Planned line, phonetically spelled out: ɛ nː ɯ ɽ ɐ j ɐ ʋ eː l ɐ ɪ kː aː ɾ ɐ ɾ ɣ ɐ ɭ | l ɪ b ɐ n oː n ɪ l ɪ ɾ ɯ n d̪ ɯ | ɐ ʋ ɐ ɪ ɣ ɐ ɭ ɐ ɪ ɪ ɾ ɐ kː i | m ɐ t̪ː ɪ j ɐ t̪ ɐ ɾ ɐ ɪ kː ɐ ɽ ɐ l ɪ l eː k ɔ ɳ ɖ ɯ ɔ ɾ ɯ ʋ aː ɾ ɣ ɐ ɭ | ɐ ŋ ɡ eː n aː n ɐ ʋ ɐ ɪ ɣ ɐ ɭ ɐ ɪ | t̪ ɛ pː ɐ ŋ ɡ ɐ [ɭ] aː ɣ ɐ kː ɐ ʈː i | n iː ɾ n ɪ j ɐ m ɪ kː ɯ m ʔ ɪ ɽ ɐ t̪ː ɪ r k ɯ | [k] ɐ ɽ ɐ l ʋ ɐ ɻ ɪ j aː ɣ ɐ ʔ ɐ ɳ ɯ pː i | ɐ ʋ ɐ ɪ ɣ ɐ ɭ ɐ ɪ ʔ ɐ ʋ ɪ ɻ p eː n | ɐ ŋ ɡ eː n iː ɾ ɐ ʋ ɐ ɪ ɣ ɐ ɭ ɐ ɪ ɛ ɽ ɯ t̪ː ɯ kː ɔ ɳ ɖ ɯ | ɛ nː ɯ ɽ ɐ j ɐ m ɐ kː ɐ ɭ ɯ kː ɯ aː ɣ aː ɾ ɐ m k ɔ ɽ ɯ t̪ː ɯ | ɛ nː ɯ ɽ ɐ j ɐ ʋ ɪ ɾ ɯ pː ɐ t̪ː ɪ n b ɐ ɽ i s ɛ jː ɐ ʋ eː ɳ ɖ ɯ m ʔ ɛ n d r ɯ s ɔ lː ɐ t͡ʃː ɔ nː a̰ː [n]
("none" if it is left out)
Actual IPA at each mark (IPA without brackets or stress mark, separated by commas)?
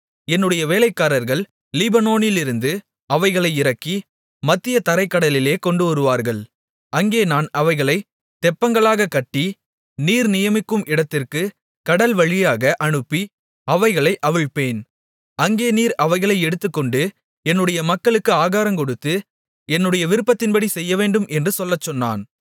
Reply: ɭ, k, n